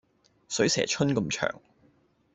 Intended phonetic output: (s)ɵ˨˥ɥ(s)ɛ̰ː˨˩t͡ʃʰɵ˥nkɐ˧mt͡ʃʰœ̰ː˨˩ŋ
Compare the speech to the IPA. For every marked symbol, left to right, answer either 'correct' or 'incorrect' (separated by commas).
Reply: correct, correct